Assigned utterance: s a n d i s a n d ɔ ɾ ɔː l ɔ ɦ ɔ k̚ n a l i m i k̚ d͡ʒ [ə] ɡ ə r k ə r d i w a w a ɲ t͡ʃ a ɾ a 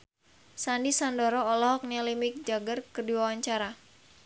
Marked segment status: incorrect: a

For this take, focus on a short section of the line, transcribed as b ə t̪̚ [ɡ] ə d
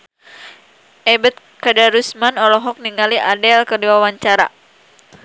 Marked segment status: incorrect: k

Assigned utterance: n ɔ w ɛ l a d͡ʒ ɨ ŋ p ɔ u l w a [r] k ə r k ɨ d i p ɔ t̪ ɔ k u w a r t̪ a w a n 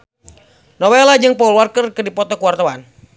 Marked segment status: correct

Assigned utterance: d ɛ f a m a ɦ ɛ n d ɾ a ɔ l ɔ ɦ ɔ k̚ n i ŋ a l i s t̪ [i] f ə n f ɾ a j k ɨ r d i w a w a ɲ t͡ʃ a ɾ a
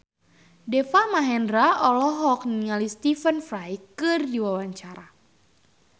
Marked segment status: correct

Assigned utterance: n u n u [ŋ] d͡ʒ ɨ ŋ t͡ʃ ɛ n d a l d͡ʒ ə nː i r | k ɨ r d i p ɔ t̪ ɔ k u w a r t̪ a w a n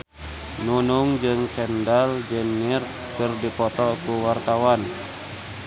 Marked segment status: correct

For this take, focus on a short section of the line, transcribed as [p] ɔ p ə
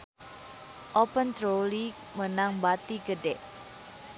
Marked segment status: incorrect: ʔ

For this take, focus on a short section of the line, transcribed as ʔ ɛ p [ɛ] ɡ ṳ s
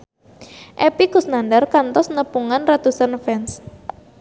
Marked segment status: incorrect: i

